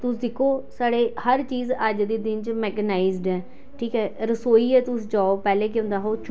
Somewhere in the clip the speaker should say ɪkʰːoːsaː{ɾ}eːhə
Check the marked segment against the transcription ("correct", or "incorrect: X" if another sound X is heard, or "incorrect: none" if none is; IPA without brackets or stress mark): incorrect: ɽ